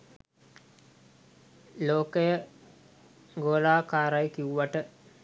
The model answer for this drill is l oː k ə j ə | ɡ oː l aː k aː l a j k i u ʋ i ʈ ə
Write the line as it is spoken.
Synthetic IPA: l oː k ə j ə | ɡ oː l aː k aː ɾ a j k i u ʋ a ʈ ə